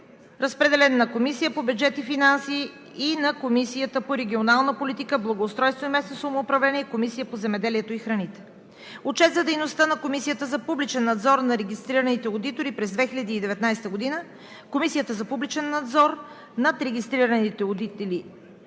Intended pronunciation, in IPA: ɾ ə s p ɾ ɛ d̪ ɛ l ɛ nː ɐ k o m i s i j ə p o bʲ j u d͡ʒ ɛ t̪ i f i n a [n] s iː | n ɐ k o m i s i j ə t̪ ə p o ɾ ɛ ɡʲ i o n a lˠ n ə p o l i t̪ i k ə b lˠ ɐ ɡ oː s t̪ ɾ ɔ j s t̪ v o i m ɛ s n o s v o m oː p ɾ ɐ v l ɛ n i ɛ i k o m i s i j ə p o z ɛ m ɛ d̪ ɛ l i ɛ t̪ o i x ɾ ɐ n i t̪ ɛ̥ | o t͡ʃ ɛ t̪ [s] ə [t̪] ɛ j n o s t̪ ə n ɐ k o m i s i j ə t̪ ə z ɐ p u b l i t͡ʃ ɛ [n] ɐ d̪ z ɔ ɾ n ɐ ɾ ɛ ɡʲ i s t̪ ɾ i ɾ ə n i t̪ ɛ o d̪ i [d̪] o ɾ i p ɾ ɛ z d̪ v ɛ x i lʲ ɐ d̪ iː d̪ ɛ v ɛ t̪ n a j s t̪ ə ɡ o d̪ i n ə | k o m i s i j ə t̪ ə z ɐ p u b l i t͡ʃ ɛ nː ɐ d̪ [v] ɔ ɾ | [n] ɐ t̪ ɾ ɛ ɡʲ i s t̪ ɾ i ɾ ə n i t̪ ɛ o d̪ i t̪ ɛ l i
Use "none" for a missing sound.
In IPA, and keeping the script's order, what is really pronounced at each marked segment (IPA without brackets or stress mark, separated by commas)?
n, z, d̪, nː, t̪, z, n